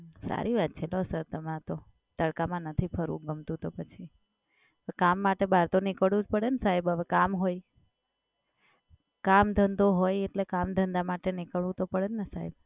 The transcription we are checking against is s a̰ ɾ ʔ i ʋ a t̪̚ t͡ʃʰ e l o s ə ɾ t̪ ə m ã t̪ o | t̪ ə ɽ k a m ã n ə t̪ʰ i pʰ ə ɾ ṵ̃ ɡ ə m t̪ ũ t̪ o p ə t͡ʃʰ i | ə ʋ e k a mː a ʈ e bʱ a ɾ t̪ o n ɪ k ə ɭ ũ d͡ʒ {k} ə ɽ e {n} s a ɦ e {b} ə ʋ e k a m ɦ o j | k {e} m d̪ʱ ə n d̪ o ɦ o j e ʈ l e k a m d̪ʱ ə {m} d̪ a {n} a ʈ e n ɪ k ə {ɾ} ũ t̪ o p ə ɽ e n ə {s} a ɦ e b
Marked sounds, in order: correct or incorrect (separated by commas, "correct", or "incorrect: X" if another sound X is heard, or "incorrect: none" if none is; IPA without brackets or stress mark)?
incorrect: p, correct, correct, incorrect: a, incorrect: n, incorrect: m, incorrect: ɭ, correct